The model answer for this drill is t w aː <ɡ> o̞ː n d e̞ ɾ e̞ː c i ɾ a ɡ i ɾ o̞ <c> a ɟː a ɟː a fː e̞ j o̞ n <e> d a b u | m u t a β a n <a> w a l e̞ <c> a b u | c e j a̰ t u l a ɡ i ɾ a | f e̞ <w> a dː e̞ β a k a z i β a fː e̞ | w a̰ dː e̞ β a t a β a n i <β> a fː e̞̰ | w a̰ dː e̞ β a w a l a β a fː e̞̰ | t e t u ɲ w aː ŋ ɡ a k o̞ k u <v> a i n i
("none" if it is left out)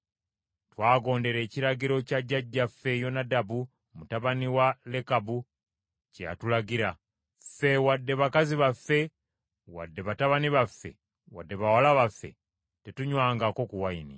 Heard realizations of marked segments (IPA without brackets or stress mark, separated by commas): ɡ, c, a, i, k, w, β, w